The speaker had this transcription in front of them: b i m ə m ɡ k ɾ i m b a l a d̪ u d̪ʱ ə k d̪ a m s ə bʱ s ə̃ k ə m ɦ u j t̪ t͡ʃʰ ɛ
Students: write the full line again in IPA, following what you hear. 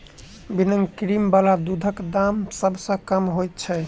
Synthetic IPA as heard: b i n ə ŋ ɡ k ɾ i m b a l a d̪ u d̪ʱ ə k d̪ a m s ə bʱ s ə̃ k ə m ɦ o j t̪ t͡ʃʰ ɛ